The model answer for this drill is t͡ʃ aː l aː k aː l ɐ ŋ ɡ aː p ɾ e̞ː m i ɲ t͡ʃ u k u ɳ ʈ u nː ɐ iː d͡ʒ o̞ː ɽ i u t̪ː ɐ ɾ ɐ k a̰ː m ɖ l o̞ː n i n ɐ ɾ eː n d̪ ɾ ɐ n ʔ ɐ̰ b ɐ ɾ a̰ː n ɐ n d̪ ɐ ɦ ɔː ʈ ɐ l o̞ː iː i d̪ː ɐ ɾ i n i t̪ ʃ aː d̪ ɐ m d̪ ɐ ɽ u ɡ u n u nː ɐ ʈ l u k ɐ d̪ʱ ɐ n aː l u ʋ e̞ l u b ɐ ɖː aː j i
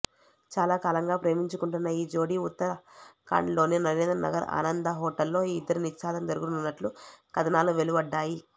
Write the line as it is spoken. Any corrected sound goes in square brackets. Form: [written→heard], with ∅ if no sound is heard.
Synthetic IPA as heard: t͡ʃ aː l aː k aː l ɐ ŋ ɡ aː p ɾ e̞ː m i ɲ t͡ʃ u k u ɳ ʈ u nː ɐ iː d͡ʒ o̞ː ɽ i u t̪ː ɐ ɾ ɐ k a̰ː [m→ɳ] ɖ l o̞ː n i n ɐ ɾ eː n d̪ ɾ ɐ n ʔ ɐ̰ [b→ɡ] ɐ ɾ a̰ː n ɐ n d̪ ɐ ɦ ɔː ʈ ɐ [l→lː] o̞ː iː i d̪ː ɐ ɾ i n i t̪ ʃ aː d̪ ɐ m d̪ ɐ [ɽ→ɾ] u ɡ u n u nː ɐ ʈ l u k ɐ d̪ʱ ɐ n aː l u ʋ e̞ l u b ɐ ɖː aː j i